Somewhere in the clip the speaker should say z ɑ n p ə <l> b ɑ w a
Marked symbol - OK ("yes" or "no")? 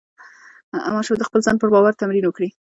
no